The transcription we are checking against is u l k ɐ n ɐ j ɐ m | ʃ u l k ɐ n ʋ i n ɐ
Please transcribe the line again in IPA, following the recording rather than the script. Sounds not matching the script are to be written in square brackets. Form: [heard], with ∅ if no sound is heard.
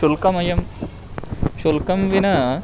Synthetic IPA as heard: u l k ɐ [m] ɐ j ɐ m | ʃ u l k ɐ [m] ʋ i n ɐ